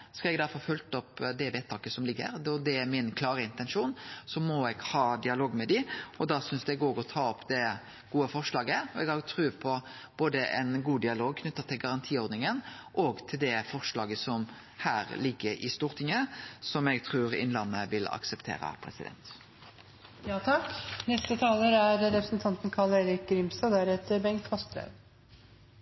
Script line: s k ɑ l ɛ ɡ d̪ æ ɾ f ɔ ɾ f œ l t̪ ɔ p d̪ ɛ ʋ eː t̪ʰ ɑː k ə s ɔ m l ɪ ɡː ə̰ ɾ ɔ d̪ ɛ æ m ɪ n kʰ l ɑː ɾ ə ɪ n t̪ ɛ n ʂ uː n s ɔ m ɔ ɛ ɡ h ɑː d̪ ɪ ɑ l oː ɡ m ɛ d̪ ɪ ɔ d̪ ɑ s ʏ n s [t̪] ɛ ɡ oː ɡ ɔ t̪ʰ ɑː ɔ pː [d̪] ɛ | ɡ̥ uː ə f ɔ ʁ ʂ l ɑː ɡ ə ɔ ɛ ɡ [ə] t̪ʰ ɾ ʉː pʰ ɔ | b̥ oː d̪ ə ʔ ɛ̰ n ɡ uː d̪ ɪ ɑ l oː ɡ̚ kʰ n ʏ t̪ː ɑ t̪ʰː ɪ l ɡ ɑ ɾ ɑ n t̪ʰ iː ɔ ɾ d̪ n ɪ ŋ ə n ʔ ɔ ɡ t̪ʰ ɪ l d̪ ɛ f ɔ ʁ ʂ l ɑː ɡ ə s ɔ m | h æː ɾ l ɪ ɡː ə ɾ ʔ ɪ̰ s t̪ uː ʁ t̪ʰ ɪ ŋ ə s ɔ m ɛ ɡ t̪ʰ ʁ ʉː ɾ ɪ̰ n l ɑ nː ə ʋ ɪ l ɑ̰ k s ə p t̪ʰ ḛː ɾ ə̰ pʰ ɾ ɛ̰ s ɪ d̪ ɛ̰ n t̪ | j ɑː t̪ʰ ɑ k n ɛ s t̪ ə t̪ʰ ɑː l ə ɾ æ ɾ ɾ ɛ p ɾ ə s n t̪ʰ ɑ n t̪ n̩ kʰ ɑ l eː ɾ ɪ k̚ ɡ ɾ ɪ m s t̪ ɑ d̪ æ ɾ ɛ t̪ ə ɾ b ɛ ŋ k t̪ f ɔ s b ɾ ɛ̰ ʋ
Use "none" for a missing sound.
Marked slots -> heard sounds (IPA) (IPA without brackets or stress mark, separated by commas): d̪, d̪, ɑ